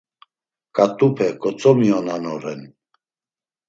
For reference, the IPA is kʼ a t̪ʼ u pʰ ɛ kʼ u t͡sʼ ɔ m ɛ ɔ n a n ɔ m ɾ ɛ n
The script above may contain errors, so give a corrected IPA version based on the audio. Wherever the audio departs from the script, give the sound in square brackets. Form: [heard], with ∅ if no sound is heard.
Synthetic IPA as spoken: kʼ a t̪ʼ u pʰ ɛ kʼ [ɔ] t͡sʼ ɔ m [i] ɔ n a n ɔ [∅] ɾ ɛ n